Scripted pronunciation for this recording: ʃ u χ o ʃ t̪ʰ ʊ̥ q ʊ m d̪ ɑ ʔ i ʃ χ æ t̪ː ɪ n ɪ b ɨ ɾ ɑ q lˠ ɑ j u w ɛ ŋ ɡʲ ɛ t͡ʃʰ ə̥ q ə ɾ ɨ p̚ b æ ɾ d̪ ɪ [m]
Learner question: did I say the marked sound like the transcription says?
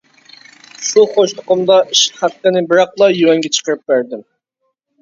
yes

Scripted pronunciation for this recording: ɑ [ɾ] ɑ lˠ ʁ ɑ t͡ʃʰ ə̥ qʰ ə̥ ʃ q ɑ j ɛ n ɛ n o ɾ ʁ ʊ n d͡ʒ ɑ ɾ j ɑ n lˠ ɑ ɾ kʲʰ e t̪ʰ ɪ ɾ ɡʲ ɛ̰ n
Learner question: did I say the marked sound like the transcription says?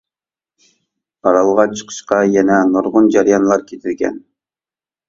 yes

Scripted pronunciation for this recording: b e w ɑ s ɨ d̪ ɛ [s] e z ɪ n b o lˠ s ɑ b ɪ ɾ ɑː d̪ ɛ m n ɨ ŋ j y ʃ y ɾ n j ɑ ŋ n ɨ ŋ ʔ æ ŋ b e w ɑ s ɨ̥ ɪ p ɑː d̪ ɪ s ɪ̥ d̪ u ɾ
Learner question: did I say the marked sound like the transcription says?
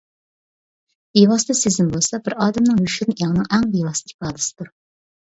yes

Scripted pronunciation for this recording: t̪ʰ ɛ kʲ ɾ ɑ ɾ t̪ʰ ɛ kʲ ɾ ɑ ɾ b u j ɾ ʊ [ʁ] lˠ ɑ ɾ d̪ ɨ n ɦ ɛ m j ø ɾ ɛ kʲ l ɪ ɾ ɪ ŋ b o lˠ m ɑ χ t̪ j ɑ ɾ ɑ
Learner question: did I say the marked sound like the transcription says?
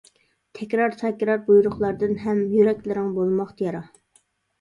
no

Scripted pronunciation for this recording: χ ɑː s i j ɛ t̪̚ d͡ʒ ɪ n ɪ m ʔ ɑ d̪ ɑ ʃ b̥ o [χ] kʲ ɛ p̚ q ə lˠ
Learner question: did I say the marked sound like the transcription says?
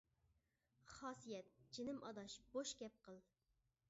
no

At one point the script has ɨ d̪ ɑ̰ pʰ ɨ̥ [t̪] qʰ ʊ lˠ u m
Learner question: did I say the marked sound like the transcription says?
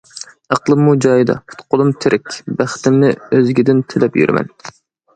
yes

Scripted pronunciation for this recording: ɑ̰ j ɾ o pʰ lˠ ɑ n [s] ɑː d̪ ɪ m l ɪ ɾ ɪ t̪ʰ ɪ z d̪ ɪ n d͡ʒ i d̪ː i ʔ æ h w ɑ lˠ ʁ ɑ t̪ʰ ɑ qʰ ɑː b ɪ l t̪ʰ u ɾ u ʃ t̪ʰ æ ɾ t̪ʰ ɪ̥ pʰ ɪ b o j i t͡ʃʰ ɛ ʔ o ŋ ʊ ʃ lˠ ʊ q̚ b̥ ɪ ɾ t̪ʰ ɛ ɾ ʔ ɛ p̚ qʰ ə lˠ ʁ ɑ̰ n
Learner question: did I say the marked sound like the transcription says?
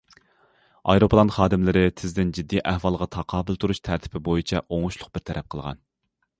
no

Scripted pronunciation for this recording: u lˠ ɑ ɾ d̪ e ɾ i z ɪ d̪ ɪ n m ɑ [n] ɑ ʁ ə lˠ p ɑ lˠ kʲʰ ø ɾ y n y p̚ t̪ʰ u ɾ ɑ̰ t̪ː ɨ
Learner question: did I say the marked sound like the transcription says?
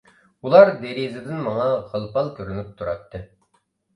no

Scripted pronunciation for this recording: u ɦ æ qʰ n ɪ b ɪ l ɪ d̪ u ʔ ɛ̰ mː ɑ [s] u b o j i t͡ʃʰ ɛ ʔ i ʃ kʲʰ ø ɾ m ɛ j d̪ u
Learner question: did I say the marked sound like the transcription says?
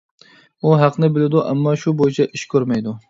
no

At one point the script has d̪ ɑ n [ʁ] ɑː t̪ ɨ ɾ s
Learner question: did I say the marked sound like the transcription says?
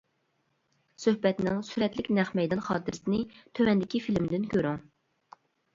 no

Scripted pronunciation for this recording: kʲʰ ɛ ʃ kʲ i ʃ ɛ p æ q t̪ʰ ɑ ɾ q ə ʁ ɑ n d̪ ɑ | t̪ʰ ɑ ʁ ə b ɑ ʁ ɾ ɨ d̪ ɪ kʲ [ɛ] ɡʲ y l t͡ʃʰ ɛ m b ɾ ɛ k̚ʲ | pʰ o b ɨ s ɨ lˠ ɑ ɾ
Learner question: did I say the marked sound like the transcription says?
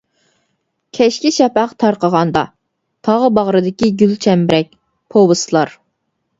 no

